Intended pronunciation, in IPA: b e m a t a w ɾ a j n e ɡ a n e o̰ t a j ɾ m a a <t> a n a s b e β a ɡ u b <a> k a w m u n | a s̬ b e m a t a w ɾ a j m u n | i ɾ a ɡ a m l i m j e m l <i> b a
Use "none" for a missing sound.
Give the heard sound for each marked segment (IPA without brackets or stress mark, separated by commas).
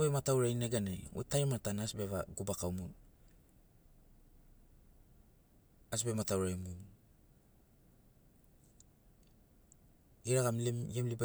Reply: t, a, i